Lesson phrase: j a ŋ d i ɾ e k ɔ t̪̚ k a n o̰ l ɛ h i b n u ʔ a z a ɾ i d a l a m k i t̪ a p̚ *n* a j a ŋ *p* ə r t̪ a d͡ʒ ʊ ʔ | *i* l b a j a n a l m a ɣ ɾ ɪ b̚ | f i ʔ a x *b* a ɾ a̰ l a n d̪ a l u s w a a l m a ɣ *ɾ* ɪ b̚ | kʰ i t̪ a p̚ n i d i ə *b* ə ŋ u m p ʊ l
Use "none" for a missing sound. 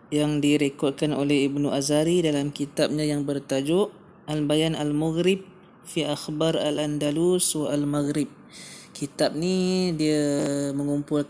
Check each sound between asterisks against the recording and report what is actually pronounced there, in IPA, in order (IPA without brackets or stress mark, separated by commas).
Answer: ɲ, b, a, b, ɾ, m